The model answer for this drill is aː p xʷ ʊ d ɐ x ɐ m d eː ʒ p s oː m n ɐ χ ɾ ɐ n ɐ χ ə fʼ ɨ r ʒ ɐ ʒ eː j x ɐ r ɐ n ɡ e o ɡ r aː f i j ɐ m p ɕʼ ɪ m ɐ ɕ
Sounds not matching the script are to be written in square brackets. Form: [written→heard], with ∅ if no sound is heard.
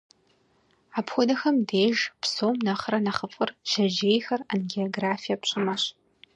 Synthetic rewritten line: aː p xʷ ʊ d ɐ x ɐ m d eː ʒ p s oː m n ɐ χ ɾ ɐ n ɐ χ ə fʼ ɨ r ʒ ɐ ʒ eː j x ɐ r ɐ n ɡ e o ɡ r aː f i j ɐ [m→∅] p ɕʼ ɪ m ɐ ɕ